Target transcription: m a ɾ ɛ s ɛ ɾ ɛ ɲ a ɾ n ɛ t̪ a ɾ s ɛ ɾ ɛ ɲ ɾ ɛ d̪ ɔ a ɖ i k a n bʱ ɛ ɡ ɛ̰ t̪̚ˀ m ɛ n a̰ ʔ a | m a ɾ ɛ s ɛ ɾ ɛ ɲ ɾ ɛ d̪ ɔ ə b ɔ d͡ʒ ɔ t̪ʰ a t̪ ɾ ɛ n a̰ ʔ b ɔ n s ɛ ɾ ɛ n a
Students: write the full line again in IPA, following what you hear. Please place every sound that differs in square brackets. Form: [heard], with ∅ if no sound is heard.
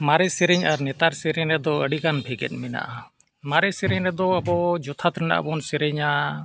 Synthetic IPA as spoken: m a ɾ ɛ s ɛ ɾ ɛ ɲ a ɾ n ɛ t̪ a ɾ s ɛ ɾ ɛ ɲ ɾ ɛ d̪ ɔ [ə] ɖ i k a n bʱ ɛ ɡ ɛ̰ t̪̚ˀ m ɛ n a̰ ʔ a | m a ɾ ɛ s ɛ ɾ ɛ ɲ ɾ ɛ d̪ ɔ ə b ɔ d͡ʒ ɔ t̪ʰ a t̪ ɾ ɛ n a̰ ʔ b ɔ n s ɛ ɾ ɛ [ɲ] a